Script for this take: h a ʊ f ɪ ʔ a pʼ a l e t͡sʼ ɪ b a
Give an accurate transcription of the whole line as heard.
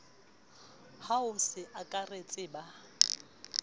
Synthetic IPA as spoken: h a ʊ s ɪ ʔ a kʼ a r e t͡sʼ ɪ b a